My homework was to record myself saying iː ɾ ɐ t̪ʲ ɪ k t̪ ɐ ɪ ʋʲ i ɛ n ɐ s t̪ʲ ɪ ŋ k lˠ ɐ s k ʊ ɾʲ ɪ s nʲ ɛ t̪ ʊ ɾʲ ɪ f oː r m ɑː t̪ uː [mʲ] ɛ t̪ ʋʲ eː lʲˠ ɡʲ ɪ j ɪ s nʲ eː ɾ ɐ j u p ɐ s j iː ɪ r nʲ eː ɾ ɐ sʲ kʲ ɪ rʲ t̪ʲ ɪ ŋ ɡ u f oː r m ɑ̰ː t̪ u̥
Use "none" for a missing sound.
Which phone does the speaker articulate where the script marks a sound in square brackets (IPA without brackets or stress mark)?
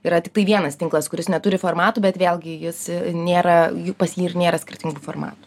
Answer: bʲ